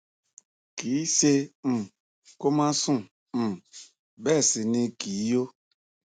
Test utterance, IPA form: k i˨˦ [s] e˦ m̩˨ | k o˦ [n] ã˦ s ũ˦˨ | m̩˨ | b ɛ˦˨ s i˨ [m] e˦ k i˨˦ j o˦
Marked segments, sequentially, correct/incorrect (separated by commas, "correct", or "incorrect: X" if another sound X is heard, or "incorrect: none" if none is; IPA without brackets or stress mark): correct, incorrect: m, incorrect: n